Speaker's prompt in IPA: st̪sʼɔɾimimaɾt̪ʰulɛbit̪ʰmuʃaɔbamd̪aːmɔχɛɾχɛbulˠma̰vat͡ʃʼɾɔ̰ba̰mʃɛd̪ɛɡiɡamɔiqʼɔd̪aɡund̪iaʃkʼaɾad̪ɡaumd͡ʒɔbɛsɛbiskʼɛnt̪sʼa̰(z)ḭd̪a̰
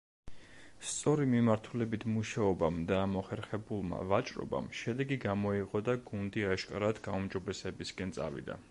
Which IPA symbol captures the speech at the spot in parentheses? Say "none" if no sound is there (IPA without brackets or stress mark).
v